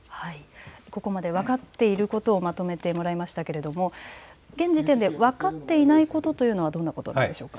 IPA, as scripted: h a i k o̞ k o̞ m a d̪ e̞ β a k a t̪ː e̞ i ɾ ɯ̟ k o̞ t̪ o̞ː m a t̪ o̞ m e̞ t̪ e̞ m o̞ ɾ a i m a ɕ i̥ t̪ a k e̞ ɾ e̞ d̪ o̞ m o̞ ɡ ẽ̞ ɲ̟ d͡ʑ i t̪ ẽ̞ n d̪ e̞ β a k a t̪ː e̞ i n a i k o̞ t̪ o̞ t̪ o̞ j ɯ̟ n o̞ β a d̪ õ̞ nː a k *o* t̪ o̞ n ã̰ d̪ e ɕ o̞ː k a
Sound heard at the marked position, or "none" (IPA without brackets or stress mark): o